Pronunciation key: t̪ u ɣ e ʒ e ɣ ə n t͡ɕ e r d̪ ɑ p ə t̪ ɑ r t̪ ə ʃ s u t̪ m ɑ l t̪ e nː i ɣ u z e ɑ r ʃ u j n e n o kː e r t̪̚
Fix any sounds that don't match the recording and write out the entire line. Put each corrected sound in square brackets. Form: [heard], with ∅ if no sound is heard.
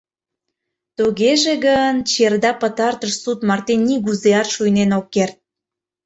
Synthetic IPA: t̪ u ɣ e ʒ e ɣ ə n t͡ɕ e r d̪ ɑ p ə t̪ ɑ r t̪ ə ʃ s u t̪ m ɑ [r] t̪ e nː i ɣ u z e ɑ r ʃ u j n e n o kː e r t̪̚